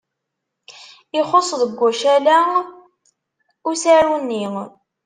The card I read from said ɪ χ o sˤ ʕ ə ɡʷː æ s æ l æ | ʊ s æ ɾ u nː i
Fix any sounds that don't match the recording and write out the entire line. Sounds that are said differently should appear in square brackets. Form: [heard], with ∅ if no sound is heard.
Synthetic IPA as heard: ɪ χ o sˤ [ð] ə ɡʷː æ [ʃ] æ l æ | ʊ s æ ɾ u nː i